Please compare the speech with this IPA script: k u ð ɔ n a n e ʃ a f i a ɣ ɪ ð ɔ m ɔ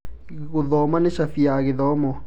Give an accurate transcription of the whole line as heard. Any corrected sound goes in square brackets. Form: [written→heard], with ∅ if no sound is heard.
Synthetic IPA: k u ð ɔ [n→m] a n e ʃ a f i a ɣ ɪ ð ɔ m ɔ